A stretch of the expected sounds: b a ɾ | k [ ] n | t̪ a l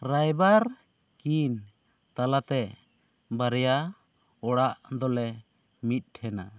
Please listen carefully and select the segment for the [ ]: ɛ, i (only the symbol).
i